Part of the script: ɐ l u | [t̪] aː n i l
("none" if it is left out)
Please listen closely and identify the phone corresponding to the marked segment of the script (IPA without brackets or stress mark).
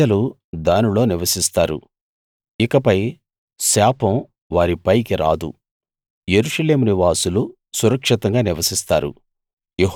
d̪